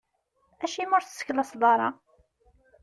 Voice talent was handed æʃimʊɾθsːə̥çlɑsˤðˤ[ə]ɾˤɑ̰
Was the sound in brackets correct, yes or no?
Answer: no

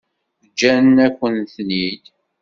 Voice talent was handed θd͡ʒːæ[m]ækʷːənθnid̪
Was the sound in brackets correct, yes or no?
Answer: no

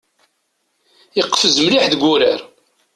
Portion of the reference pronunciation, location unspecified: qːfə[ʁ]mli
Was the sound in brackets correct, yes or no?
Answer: no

